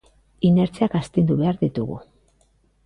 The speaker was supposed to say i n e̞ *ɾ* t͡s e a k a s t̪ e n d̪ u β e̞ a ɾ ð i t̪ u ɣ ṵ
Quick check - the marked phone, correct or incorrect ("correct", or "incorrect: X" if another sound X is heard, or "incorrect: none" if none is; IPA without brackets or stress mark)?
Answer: correct